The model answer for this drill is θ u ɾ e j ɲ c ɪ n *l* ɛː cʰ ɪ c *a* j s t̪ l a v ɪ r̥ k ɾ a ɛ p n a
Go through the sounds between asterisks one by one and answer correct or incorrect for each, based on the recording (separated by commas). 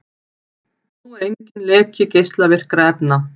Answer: correct, incorrect